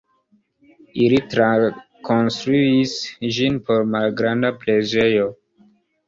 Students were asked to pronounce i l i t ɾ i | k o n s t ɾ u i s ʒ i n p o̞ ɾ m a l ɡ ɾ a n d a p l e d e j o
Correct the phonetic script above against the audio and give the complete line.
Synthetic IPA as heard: i l i t ɾ a | k o n s t ɾ u i s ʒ i n p o̞ ɾ m a l ɡ ɾ a n d a p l e d͡ʒ e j o